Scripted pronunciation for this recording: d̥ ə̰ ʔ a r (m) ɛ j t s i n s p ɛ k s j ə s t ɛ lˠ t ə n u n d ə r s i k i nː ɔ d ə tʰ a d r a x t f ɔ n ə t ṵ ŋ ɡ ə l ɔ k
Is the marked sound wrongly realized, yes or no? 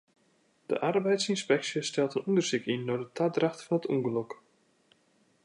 yes